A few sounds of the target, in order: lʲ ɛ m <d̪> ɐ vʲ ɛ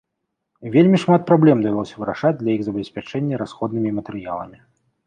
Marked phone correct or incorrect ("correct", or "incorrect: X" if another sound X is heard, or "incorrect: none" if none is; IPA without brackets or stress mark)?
correct